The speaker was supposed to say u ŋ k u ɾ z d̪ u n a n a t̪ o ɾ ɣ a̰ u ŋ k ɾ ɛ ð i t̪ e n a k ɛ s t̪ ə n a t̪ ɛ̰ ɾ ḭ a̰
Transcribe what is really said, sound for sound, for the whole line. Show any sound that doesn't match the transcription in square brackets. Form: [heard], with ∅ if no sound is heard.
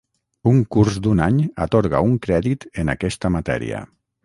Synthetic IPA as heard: u ŋ k u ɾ z d̪ u n a [ɲ] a t̪ o ɾ ɣ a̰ u ŋ k ɾ ɛ ð i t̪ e n a k ɛ s t̪ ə [m] a t̪ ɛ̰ ɾ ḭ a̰

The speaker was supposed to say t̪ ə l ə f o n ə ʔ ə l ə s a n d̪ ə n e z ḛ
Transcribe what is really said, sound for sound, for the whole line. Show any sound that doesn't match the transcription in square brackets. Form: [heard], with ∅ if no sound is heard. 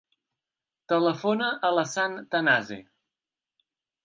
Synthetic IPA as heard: t̪ ə l ə f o n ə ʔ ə l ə s a n [t̪] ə n [a] z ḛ

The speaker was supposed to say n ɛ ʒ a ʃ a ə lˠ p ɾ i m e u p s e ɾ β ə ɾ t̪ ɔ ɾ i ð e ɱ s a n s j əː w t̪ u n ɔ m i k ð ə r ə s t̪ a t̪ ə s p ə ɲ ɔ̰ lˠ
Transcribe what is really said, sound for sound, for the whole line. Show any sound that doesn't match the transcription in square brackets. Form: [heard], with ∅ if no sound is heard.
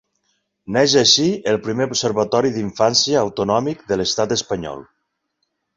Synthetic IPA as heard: n ɛ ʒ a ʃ [i] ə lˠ p ɾ i m e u p s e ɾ β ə [∅] t̪ ɔ ɾ i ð [i] ɱ [f] a n s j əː w t̪ u n ɔ m i k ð ə [l] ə s t̪ a t̪ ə s p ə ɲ ɔ̰ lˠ

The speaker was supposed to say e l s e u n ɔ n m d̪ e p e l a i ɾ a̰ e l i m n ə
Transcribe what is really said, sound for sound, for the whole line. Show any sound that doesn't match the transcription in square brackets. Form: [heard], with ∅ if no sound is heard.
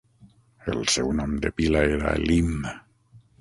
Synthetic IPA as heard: e l s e [w] n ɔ [∅] m d̪ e p [i] l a [e] ɾ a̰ e l i m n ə

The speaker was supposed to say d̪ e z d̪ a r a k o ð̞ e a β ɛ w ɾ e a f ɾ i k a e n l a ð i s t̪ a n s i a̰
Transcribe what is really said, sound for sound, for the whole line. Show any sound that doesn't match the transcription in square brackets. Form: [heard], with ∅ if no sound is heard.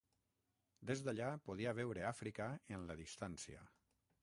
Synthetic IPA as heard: d̪ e z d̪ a [ʎ] a [p] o ð̞ [i] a β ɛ w ɾ e a f ɾ i k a e n l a ð i s t̪ a n s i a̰

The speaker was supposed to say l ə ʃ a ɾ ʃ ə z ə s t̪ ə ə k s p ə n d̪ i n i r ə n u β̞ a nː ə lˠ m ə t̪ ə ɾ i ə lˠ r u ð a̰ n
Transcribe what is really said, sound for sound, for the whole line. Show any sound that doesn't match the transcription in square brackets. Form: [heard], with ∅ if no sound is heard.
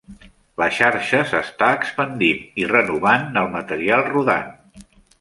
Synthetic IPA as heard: l ə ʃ a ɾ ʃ ə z ə s t̪ [a] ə k s p ə n d̪ i n i r ə n u β̞ a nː ə lˠ m ə t̪ ə ɾ i [a] lˠ r u ð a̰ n

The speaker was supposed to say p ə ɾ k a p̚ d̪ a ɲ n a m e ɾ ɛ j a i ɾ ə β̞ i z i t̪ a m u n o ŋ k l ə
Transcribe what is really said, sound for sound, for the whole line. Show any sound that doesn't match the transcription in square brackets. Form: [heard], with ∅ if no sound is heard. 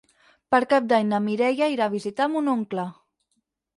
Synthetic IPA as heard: p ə ɾ k a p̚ d̪ a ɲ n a m [i] ɾ ɛ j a i ɾ [a] β̞ i z i t̪ a m u n o ŋ k l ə

